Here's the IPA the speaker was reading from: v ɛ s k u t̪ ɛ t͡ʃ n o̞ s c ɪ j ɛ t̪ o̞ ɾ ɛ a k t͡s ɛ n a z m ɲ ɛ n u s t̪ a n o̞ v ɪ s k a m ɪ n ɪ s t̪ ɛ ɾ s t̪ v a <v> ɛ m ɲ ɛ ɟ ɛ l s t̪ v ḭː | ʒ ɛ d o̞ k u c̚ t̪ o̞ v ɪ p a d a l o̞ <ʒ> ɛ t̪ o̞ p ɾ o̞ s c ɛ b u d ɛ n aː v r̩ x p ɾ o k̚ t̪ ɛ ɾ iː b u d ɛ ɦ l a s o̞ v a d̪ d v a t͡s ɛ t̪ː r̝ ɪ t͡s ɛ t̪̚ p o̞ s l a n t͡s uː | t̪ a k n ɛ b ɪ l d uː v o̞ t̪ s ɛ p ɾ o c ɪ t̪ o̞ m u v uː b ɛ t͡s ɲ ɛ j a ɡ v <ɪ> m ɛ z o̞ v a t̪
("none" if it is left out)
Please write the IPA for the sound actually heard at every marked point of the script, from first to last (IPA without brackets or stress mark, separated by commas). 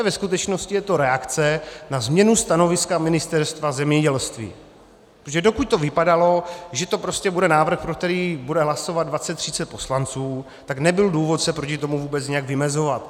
z, ʒ, ɪ